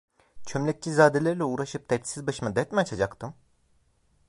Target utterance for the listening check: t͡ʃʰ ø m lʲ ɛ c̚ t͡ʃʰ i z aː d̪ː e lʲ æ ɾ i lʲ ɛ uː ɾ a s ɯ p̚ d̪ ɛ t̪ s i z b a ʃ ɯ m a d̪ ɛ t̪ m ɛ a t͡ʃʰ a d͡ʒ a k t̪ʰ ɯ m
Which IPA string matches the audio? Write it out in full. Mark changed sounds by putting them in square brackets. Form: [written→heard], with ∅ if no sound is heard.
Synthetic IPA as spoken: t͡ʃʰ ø m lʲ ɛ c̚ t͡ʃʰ i z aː [d̪ː→d̪] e lʲ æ ɾ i lʲ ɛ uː ɾ a [s→ʃ] ɯ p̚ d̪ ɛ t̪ s i z b a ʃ ɯ m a d̪ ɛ t̪ m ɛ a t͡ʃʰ a d͡ʒ a k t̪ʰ ɯ m